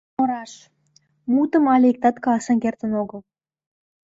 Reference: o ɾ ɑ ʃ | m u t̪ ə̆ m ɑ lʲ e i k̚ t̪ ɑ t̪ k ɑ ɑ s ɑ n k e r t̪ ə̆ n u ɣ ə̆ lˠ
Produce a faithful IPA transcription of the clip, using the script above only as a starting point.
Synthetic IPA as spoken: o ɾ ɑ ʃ | m u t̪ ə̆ m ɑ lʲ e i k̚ t̪ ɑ t̪ k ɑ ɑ s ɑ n k e r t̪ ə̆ n o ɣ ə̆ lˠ

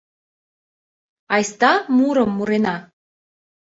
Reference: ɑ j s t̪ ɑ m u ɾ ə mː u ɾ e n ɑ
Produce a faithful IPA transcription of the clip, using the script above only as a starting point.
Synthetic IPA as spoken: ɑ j s t̪ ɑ m u ɾ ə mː u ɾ e n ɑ

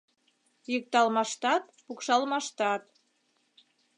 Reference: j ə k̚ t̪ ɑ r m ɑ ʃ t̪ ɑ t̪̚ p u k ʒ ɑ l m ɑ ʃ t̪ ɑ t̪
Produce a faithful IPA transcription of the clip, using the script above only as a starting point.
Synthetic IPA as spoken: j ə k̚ t̪ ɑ l m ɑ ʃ t̪ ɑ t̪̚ p u k ʃ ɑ l m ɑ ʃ t̪ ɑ t̪

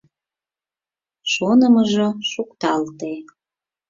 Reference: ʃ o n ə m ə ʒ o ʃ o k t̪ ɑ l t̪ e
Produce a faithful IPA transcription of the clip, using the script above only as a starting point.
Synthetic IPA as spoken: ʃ o n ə m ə ʒ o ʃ u k t̪ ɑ l t̪ e

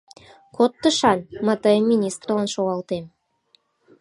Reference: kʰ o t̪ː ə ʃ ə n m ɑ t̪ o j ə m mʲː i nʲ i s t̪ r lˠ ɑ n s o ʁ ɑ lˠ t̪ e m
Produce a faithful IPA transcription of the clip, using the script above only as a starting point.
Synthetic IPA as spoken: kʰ o t̪ː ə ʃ ɑ n m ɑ t̪ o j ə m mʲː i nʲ i s t̪ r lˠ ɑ n ʃ o ʁ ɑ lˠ t̪ e m

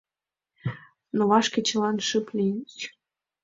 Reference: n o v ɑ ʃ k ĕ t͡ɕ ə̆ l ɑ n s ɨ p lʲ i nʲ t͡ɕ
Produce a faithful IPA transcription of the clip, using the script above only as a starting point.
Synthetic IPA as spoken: n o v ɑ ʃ k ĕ t͡ɕ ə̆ l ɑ n ʃ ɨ p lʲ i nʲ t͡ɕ

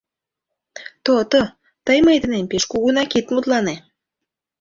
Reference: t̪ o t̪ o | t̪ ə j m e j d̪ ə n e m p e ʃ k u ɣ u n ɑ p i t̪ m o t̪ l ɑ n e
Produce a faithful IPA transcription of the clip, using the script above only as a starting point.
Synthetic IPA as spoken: t̪ o t̪ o | t̪ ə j m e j d̪ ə n e m p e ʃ k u ɣ u n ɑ k i t̪ m u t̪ l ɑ n e

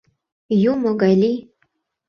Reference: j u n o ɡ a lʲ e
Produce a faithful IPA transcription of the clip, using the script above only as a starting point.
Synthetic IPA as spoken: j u m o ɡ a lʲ i

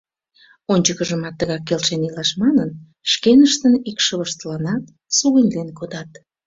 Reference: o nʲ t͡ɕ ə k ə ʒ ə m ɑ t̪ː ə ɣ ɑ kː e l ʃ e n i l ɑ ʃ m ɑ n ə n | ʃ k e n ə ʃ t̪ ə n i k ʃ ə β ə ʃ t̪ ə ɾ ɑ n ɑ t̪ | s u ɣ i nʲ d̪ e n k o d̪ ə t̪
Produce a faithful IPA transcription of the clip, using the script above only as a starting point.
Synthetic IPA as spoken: o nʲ t͡ɕ ə k ə ʒ ə m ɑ t̪ː ə ɣ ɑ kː e l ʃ e n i l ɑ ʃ m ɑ n ə n | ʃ k e n ə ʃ t̪ ə n i k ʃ ə β ə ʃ t̪ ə l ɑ n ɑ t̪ | s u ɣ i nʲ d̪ e n k o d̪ ɑ t̪

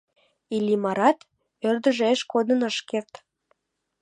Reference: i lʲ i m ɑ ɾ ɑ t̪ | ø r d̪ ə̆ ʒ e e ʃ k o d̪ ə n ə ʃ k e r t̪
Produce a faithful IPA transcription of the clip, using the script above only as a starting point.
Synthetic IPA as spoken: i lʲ i m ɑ ɾ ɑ t̪ | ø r d̪ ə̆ ʒ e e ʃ k o d̪ ə n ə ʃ k e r t̪

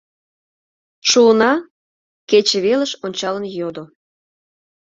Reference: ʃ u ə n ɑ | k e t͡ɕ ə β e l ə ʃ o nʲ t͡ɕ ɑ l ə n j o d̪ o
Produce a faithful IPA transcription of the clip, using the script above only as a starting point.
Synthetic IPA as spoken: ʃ u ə n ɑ | k e t͡ɕ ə β e l ə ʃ o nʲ t͡ɕ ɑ l ə n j o d̪ o

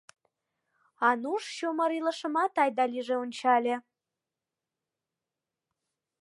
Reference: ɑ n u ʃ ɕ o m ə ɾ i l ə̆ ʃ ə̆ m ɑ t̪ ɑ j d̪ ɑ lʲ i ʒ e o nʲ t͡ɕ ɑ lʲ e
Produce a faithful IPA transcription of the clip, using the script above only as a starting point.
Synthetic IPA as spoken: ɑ n u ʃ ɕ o m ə ɾ i l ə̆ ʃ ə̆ m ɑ t̪ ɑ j d̪ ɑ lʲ i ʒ e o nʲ t͡ɕ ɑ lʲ e

